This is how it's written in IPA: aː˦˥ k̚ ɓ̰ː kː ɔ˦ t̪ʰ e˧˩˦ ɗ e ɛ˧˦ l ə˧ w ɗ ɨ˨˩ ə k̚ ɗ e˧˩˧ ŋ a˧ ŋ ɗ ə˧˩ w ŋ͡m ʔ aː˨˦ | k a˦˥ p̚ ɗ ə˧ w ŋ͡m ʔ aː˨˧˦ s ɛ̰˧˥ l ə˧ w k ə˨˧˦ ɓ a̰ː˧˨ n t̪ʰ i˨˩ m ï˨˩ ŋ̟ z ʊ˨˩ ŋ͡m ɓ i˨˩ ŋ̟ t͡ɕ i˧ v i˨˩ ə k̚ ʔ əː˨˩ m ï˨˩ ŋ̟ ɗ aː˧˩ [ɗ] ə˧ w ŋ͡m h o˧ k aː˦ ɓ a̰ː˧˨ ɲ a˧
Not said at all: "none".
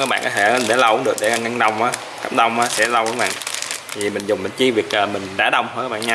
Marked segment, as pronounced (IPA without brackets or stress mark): ɗ